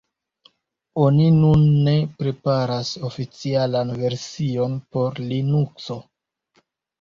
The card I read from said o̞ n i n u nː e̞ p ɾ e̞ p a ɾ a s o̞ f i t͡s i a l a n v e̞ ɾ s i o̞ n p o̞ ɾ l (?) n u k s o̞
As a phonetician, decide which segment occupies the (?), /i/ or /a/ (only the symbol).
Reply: i